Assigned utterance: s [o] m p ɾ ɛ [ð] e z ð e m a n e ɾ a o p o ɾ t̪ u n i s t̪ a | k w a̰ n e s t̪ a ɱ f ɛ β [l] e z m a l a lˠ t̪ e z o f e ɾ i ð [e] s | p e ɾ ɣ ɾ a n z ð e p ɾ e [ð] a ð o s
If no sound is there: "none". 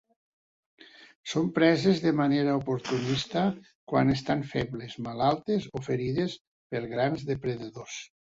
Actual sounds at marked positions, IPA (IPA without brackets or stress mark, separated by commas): o, z, l, e, ð